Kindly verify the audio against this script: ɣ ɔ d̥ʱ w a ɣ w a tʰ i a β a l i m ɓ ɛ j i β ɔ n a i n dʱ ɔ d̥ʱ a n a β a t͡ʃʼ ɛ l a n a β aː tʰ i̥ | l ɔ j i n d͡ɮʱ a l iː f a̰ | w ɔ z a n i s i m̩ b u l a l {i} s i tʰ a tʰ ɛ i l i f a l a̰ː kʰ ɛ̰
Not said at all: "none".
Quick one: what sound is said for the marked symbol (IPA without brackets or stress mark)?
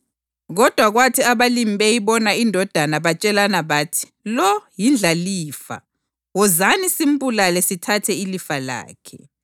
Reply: ɛ